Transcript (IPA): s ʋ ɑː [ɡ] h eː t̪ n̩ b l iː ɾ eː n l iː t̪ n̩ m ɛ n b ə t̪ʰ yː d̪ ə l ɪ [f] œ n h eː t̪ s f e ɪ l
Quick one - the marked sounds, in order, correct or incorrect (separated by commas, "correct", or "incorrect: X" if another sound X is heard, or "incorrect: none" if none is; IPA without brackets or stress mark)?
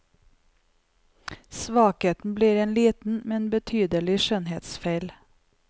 incorrect: k, incorrect: ʃ